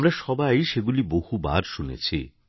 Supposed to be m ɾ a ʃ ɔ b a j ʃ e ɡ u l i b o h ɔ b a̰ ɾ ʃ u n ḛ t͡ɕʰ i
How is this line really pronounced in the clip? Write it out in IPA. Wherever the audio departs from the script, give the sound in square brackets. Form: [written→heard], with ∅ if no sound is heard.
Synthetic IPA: m ɾ a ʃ ɔ b a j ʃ e ɡ u l i b o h [ɔ→u] b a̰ ɾ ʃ u n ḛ t͡ɕʰ i